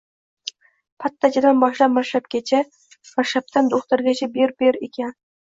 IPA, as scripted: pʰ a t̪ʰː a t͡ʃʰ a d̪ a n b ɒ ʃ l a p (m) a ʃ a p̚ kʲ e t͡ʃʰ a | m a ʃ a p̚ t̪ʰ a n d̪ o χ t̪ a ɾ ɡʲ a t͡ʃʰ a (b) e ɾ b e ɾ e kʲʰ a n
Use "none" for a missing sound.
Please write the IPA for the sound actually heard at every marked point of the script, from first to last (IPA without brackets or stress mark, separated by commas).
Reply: m, b